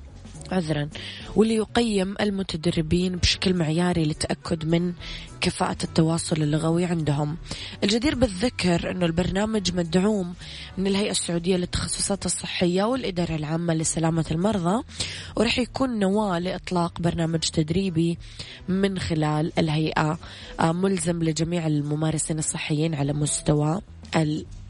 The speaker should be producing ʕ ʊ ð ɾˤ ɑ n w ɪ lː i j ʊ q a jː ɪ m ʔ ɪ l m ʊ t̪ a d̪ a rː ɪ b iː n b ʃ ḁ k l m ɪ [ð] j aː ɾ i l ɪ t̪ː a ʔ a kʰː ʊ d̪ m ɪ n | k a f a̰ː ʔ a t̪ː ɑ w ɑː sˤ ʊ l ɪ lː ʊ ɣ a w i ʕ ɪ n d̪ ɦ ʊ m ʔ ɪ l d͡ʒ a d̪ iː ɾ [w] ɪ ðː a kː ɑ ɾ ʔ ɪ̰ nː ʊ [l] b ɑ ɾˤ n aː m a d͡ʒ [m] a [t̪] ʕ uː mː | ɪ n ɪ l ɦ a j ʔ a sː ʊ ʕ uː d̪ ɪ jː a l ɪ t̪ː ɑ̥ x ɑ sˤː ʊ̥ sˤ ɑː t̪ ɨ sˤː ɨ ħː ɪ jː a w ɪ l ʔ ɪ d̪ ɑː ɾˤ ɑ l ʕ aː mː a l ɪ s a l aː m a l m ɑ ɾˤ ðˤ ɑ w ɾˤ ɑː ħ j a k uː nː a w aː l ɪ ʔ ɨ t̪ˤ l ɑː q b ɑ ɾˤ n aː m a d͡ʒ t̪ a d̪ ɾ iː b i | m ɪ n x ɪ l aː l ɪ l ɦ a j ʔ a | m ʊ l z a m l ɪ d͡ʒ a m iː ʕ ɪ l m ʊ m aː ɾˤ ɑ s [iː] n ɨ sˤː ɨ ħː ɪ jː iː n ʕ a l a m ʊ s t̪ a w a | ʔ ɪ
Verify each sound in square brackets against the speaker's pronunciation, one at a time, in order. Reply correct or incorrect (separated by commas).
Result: incorrect, incorrect, correct, correct, incorrect, correct